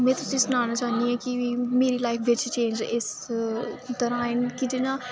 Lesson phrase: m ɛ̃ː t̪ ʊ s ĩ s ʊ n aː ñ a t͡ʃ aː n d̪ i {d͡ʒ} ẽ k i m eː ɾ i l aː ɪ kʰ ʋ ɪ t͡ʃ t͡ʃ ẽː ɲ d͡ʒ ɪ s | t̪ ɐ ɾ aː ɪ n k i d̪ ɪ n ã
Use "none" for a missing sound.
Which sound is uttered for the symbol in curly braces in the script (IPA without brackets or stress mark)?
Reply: none